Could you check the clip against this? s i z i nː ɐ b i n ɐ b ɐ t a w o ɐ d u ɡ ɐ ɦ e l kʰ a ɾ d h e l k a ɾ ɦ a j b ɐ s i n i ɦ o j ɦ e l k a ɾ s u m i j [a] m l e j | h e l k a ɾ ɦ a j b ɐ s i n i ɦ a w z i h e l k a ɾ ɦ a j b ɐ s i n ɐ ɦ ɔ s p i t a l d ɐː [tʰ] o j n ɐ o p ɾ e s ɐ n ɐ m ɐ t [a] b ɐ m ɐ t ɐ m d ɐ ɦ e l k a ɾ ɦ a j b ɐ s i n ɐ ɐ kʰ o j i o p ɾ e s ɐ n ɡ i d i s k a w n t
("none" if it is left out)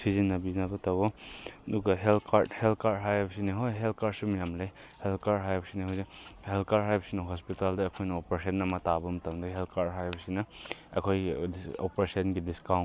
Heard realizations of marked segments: a, kʰ, a

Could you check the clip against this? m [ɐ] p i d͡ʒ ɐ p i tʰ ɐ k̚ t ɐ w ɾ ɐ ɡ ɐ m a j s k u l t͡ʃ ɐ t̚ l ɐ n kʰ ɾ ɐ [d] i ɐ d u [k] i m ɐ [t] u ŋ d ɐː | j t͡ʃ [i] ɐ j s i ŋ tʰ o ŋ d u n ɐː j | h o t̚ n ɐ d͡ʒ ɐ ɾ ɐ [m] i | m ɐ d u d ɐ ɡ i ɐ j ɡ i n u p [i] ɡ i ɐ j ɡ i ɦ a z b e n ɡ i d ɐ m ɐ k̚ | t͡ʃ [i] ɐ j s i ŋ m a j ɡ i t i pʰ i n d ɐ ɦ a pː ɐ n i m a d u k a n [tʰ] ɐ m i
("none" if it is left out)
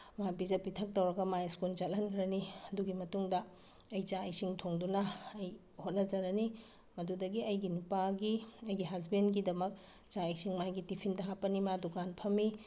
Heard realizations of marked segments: a, n, ɡ, t, a, n, a, a, pʰ

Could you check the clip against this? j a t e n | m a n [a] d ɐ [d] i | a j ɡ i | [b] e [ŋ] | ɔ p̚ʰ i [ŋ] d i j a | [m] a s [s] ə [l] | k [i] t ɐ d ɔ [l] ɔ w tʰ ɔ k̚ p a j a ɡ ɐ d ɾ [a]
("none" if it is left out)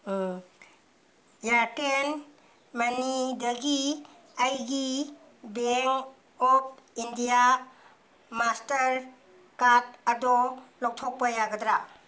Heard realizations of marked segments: i, ɡ, b, ŋ, n, m, t, ɾ, a, l, a

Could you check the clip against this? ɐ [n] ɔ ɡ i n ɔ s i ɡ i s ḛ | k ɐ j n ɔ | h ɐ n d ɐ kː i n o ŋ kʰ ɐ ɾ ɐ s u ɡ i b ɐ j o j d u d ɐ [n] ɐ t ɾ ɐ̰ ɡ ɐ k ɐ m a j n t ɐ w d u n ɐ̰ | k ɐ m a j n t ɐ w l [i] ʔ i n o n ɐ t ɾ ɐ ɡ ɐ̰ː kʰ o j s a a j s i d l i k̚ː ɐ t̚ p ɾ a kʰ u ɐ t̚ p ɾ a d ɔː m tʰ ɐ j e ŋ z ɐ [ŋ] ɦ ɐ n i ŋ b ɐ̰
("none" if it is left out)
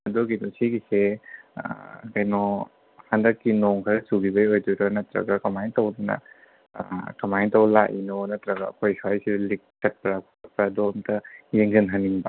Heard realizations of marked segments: d, n, a, n

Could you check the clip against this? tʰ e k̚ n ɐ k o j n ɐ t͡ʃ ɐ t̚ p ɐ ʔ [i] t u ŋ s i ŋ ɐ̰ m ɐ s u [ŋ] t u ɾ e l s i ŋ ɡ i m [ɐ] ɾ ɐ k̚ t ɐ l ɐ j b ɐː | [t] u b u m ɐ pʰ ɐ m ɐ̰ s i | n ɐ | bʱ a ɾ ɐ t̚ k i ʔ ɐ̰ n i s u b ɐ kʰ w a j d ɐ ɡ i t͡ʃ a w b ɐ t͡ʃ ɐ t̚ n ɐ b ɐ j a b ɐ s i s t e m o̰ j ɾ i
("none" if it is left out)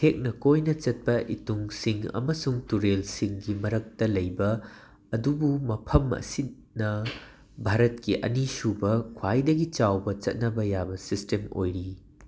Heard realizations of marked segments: i, ŋ, ɐ, d

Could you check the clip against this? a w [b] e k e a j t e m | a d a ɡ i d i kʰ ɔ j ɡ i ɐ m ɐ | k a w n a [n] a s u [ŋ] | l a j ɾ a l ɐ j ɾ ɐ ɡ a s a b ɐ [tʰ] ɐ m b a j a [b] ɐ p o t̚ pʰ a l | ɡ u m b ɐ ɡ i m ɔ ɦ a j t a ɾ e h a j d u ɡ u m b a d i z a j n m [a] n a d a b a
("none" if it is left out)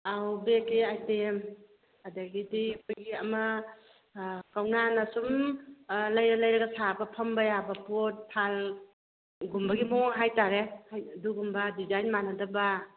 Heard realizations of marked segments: b, n, m, pʰ, b, a

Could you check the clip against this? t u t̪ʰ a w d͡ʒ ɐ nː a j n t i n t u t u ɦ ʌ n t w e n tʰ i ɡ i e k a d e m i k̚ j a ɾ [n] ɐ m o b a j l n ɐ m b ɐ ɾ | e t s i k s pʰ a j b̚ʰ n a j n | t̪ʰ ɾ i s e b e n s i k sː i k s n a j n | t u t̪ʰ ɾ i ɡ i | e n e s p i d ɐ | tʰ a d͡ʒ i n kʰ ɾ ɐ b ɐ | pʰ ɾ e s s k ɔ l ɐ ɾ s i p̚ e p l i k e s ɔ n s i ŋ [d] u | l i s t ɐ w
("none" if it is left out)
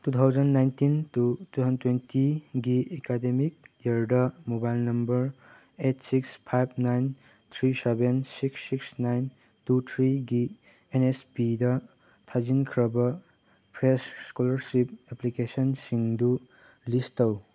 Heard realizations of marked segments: d, d

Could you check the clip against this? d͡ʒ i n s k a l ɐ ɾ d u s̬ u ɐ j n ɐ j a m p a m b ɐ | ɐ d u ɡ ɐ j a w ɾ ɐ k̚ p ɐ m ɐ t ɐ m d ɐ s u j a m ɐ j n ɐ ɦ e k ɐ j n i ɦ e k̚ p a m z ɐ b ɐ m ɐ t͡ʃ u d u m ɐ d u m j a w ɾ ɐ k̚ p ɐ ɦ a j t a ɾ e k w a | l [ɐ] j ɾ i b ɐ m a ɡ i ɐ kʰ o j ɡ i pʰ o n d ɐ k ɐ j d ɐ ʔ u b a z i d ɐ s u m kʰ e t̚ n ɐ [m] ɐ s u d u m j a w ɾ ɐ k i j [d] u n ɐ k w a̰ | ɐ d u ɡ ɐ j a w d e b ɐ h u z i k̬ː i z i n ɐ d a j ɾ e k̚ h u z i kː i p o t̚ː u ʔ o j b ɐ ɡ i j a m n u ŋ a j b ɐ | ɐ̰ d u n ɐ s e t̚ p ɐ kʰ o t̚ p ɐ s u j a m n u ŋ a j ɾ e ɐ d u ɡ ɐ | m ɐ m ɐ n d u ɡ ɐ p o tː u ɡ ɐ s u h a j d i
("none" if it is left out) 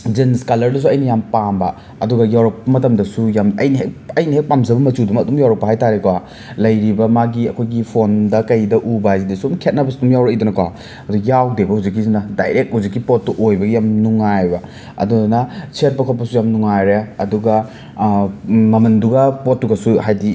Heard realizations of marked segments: ɐ, b, d

